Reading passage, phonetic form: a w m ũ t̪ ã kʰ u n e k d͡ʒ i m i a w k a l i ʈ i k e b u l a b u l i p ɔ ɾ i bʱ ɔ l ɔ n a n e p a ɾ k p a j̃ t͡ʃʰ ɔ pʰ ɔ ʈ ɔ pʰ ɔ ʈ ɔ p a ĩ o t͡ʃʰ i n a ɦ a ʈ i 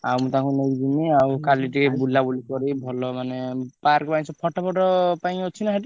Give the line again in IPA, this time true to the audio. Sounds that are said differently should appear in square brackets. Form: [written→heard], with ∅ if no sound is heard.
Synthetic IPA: a w m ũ t̪ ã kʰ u n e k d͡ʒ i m i a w k a l i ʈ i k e b u l a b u l i [p→k] ɔ ɾ i bʱ ɔ l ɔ [n→m] a n e p a ɾ k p a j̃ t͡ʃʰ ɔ pʰ ɔ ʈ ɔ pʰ ɔ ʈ ɔ p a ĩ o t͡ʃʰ i n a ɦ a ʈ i